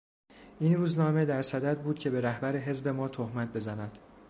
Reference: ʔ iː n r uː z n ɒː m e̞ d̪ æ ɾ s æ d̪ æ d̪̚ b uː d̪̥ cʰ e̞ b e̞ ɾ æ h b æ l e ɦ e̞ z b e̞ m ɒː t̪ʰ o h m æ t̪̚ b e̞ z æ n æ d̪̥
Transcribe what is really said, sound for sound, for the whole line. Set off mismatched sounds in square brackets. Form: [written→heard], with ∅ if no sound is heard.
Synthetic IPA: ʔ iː n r uː z n ɒː m e̞ d̪ æ ɾ s æ d̪ æ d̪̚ b uː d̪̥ cʰ e̞ b e̞ ɾ æ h b æ [l→ɾ] e ɦ e̞ z b e̞ m ɒː t̪ʰ o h m æ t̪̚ b e̞ z æ n æ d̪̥